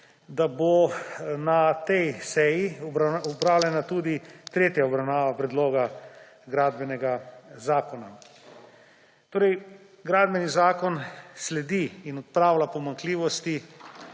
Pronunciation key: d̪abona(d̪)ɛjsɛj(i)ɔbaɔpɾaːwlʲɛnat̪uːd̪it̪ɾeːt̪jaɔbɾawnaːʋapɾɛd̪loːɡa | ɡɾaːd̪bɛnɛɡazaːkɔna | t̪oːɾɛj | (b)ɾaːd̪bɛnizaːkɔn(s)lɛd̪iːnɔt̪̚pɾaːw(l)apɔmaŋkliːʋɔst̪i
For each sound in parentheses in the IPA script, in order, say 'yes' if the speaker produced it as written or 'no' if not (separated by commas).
no, yes, no, yes, yes